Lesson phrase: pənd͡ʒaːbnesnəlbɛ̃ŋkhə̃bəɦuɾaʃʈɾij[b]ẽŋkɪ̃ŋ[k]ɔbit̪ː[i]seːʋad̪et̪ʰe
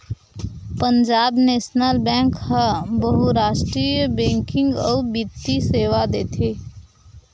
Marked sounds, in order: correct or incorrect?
correct, incorrect: ɡ, correct

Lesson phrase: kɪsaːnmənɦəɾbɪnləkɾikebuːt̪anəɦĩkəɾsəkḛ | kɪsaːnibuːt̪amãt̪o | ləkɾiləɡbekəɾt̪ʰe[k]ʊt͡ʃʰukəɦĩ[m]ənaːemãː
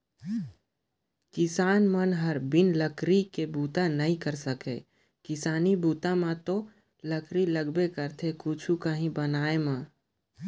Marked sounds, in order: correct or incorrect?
correct, incorrect: b

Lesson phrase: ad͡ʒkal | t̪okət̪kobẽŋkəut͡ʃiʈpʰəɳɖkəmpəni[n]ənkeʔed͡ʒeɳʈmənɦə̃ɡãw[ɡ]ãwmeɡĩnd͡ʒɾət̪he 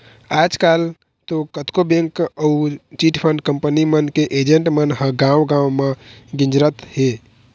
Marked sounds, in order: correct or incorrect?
incorrect: m, correct

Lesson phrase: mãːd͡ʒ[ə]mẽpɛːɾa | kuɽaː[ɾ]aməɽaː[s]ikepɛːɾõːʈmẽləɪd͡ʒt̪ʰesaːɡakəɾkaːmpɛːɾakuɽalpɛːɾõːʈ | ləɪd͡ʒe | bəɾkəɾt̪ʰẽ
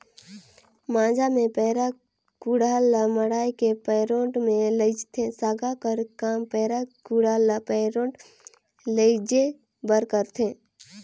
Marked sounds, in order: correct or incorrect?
incorrect: a, incorrect: l, incorrect: none

